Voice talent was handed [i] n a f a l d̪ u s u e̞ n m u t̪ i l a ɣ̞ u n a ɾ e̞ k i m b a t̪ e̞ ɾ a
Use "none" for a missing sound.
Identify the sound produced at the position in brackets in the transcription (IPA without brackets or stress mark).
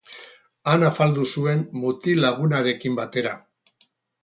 a